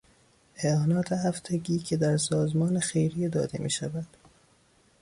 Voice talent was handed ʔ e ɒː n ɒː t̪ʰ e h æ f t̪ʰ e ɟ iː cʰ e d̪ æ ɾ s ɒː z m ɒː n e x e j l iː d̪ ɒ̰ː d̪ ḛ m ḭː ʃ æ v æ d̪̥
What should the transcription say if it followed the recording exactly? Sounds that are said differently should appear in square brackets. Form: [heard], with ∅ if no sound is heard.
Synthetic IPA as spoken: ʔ e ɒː n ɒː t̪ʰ e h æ f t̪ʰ e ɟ iː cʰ e d̪ æ ɾ s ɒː z m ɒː n e x e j [ɾ] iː d̪ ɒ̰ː d̪ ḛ m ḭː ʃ æ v æ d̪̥